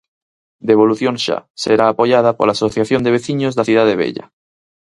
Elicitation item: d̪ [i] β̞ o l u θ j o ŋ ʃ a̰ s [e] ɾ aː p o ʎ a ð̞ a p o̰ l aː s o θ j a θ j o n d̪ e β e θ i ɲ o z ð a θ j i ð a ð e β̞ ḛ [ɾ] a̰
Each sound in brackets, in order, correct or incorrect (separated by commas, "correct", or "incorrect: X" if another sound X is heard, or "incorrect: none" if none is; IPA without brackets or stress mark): incorrect: e, correct, incorrect: ʎ